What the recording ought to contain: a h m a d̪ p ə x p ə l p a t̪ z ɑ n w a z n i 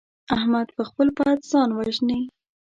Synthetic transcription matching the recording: a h m a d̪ p ə x p ə l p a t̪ z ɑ n w a ʒ n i